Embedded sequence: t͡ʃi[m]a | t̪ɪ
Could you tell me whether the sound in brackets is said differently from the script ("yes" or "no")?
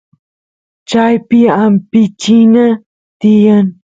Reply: yes